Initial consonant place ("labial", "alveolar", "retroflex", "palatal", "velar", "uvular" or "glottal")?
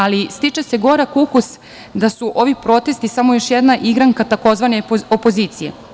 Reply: alveolar